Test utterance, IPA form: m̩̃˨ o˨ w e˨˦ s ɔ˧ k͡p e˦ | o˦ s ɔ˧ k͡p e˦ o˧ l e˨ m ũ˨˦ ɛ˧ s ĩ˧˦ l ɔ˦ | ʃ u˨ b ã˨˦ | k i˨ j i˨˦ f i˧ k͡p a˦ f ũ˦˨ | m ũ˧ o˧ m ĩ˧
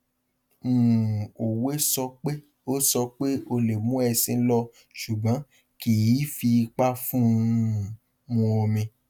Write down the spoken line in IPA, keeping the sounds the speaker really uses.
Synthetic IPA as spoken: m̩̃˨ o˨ w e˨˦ s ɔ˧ k͡p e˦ | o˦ s ɔ˧ k͡p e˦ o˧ l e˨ m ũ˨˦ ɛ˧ s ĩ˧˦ l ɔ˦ | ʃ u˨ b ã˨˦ | k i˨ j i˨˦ f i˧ k͡p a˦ f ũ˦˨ | m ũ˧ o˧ m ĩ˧